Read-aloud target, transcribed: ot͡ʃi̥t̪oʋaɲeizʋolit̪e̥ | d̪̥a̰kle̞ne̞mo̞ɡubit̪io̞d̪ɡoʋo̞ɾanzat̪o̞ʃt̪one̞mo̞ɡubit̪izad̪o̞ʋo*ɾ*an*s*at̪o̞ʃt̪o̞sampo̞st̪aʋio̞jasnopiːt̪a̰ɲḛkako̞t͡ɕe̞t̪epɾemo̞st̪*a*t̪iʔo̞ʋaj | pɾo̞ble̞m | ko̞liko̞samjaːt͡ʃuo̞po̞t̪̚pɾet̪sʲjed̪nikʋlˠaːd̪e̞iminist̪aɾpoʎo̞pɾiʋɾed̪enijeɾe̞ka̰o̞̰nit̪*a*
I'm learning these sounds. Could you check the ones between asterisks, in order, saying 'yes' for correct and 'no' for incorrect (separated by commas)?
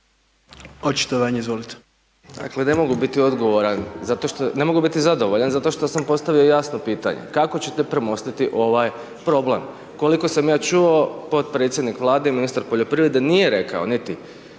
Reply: no, no, no, no